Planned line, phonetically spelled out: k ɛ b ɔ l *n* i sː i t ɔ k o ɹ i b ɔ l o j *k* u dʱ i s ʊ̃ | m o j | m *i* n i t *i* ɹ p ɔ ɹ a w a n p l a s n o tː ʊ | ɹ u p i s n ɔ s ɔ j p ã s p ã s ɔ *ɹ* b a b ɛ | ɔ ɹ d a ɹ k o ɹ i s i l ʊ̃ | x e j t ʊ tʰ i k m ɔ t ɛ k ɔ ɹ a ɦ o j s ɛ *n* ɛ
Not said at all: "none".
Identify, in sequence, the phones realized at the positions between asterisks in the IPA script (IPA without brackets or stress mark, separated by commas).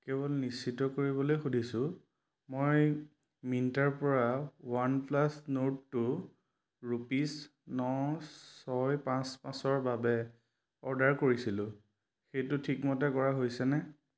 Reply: n, x, i, a, ɹ, n